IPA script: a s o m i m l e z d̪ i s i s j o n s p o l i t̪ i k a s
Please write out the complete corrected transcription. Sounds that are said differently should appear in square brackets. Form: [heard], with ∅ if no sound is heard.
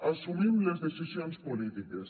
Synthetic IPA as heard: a s [u] m i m l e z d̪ [e] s i s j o n s p o l i t̪ i k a s

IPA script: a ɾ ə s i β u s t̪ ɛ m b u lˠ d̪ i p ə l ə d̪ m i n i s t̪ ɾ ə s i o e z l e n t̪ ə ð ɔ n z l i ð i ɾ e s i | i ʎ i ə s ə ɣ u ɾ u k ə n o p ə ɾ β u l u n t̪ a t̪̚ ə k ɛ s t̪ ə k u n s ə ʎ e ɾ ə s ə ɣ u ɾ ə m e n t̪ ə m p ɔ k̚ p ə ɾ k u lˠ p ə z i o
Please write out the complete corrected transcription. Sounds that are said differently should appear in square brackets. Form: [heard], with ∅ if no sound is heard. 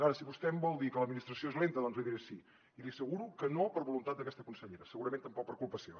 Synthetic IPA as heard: a ɾ ə s i β u s t̪ ɛ m b [ɔ] lˠ d̪ i [k] ə l ə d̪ m i n i s t̪ ɾ ə s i o e z l e n t̪ ə ð ɔ n z l i ð i ɾ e s i | i [l] i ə s ə ɣ u ɾ u k ə n o p ə ɾ β u l u n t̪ a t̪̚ ə k ɛ s t̪ ə k u n s ə ʎ e ɾ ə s ə ɣ u ɾ ə m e n t̪ ə m p ɔ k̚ p ə ɾ k u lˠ p ə [s] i o

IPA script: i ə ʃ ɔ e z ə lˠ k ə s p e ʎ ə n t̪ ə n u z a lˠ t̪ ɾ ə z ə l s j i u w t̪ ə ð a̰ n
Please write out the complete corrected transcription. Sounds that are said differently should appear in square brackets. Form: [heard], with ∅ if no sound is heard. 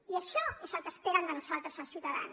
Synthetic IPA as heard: i ə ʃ ɔ e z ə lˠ k ə s p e [ɾ] ə n [d̪] ə n u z a lˠ t̪ ɾ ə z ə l s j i u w t̪ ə ð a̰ n

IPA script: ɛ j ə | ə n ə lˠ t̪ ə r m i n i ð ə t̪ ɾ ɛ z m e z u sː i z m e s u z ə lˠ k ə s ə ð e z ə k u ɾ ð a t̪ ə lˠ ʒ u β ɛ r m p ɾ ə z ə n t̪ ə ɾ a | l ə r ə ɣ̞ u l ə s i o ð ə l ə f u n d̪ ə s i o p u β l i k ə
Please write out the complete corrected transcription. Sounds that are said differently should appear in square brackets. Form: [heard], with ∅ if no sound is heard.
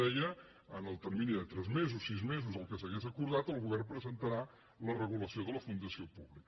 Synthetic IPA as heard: ɛ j ə | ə n ə lˠ t̪ ə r m i n i ð ə t̪ ɾ ɛ z m e z u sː i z m e [z] u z ə lˠ k ə s ə [ɣ] e z ə k u ɾ ð a t̪ ə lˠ [ɣ] u β ɛ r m p ɾ ə z ə n t̪ ə ɾ a | l ə r ə ɣ̞ u l ə s i o ð ə l ə f u n d̪ ə s i o p u β l i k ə

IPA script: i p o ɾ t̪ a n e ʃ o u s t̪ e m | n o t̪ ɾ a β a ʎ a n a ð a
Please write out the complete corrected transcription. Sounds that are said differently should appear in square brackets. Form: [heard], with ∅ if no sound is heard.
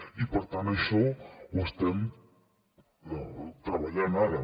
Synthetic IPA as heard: i p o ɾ t̪ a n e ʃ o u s t̪ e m | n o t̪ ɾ a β a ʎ a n a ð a

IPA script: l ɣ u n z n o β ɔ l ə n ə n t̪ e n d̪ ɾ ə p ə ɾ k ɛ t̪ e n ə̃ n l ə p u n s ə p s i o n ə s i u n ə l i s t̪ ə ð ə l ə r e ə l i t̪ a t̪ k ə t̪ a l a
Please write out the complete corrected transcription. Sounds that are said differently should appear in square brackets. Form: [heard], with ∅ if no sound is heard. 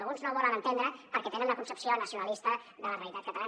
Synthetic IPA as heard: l ɣ u n z n o β ɔ l ə n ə n t̪ e n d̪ ɾ ə p ə ɾ k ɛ t̪ e n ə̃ n l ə [k] u n s ə p s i o n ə s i u n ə l i s t̪ ə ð ə l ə r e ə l i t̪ a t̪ k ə t̪ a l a

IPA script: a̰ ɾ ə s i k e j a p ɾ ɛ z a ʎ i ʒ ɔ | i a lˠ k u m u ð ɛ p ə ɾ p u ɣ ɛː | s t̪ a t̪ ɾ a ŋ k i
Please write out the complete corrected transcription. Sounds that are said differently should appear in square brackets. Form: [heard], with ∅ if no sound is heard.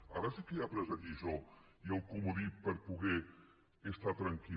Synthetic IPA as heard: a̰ ɾ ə s i k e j a p ɾ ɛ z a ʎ i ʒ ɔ | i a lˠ k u m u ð [i] p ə ɾ p u ɣ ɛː | s t̪ a t̪ ɾ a ŋ k i

